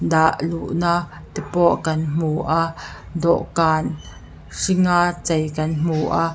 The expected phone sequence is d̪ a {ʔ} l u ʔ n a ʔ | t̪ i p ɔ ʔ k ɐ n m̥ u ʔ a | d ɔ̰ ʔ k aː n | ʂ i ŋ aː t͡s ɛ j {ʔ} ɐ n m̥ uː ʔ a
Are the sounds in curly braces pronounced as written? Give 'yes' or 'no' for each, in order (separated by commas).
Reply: yes, no